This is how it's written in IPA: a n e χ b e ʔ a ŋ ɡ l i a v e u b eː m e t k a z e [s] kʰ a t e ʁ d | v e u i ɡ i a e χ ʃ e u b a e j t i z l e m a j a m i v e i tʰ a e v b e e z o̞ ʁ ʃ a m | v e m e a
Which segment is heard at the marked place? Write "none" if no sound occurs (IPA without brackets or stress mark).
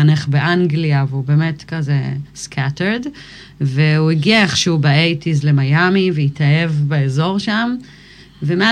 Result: s